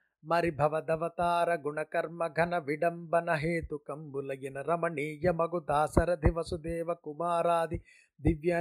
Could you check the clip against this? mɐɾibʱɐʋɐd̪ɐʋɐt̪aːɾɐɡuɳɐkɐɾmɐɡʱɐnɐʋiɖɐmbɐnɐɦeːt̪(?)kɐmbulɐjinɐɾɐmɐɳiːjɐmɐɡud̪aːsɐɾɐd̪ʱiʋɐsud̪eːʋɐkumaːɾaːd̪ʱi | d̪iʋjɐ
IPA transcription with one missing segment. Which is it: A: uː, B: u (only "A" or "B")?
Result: B